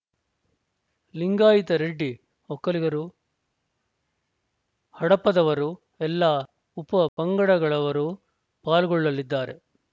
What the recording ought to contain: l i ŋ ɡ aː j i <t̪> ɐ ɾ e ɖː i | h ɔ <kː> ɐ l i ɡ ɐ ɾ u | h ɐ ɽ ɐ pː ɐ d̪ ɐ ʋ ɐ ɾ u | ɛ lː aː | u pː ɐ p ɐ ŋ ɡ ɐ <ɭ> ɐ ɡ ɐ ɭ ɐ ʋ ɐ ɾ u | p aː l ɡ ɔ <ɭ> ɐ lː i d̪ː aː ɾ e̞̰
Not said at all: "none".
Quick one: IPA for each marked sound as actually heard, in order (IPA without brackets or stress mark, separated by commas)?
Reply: t̪, kː, ɽ, ɭː